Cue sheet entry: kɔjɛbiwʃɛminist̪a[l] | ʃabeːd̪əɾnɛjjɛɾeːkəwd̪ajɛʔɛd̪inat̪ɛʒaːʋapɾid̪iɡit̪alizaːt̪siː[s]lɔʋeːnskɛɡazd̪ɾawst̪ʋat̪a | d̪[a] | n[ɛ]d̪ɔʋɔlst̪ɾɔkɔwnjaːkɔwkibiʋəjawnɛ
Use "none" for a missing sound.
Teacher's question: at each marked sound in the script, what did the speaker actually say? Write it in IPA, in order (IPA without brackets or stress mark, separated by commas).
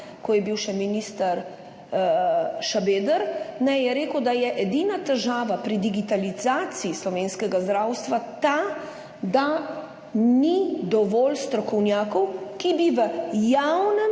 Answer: ɾ, s, a, i